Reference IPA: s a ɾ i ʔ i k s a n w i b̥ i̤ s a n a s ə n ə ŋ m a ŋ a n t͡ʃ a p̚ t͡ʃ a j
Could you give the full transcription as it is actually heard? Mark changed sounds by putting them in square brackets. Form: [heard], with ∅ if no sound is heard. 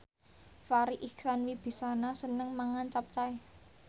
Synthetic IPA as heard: [f] a ɾ i ʔ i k s a n w i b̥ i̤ s a n a s ə n ə ŋ m a ŋ a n t͡ʃ a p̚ t͡ʃ a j